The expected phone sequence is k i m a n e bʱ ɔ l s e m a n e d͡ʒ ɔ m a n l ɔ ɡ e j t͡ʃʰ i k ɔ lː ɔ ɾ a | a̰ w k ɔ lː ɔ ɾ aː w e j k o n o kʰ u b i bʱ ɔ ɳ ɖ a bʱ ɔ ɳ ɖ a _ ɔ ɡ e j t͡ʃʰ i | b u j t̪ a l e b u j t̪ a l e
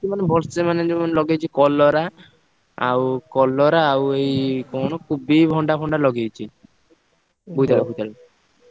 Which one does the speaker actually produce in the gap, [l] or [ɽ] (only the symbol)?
l